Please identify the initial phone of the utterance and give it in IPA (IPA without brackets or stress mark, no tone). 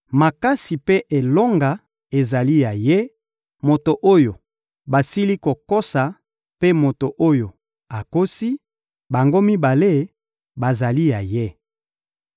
m